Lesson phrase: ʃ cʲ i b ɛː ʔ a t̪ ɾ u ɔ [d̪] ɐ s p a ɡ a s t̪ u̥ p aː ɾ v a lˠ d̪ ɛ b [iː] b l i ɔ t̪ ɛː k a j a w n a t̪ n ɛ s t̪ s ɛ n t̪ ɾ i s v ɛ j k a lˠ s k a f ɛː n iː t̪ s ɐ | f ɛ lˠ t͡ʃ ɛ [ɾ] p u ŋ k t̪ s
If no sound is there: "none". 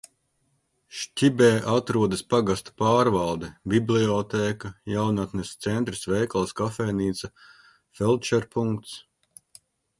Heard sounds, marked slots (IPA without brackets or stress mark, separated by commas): d̪, i, ɾ